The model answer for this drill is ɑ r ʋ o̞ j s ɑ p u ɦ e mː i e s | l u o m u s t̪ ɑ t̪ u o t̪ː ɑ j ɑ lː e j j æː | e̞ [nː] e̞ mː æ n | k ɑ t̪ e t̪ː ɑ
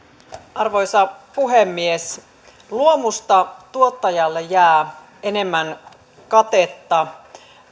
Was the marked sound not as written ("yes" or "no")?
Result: yes